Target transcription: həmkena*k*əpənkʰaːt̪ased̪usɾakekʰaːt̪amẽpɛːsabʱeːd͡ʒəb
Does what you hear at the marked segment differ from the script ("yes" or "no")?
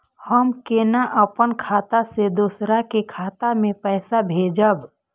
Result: yes